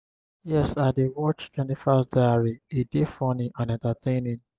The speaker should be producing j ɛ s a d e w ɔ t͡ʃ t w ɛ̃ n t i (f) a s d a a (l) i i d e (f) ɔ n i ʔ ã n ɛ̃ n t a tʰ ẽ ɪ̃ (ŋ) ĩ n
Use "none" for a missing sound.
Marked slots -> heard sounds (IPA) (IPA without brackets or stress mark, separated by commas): f, ɹ, f, n